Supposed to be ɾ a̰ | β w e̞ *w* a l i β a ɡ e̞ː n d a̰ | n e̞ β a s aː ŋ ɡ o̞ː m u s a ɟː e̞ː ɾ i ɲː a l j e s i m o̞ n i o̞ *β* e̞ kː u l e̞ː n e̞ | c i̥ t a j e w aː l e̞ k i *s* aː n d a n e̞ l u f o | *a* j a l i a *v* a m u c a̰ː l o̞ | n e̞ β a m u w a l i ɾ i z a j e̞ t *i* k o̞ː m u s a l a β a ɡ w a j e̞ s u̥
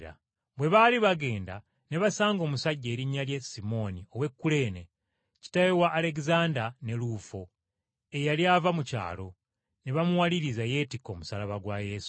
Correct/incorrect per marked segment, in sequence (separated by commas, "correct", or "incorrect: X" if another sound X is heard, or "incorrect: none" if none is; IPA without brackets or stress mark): incorrect: β, incorrect: w, incorrect: z, incorrect: e, correct, correct